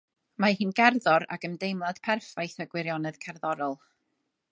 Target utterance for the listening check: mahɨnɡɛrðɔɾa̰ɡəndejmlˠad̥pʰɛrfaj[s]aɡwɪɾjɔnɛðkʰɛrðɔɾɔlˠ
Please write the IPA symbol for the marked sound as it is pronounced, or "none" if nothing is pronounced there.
θ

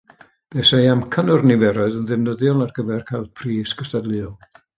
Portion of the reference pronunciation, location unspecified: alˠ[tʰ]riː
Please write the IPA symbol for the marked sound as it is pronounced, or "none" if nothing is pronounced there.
pʰ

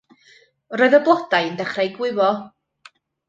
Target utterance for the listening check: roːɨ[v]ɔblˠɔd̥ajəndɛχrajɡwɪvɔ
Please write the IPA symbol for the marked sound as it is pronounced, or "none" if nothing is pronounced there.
ð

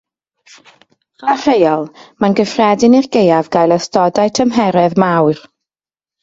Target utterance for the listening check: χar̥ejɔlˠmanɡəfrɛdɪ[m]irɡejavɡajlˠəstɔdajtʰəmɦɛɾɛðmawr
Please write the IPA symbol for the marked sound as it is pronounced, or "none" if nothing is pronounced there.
n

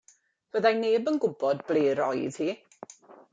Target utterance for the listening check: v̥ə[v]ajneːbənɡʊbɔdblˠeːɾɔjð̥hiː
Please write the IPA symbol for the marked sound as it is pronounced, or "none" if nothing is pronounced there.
ð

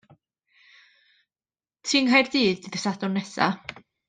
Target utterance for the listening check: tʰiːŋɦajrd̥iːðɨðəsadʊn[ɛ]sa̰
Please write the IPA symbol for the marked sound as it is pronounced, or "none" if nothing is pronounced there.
ɛ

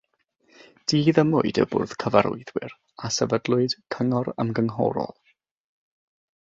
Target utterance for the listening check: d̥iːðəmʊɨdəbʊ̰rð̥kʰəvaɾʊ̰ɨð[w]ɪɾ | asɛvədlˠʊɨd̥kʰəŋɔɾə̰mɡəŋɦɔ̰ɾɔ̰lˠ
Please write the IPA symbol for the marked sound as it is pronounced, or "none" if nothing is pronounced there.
w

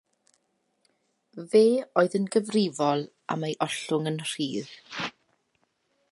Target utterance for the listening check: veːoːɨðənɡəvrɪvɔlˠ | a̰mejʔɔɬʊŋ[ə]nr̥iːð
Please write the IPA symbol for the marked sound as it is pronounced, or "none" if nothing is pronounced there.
ə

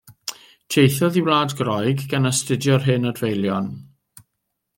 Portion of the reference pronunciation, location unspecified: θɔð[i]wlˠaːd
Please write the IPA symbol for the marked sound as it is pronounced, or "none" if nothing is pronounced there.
i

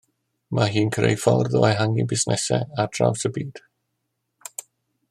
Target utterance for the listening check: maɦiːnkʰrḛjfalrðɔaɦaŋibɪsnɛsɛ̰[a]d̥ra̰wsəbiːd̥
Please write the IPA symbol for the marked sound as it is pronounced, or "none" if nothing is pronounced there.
a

